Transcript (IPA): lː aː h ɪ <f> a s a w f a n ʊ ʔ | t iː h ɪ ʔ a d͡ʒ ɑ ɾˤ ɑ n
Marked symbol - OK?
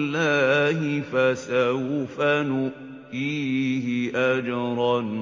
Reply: yes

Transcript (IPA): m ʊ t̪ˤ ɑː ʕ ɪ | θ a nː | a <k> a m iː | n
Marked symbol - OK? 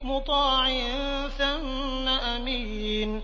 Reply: no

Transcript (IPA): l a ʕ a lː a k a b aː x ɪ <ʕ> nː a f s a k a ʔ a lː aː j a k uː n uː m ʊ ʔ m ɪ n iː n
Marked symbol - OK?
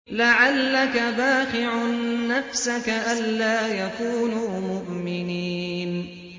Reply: yes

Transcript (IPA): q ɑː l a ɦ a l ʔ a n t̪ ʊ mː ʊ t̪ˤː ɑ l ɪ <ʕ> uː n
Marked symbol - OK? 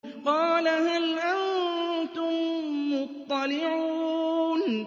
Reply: yes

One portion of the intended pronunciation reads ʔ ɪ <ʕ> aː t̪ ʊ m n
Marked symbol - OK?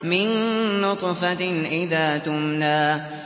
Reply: no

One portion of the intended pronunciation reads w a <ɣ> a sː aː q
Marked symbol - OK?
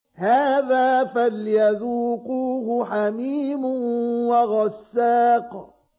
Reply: yes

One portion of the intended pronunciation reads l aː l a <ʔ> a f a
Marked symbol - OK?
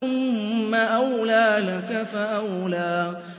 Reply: no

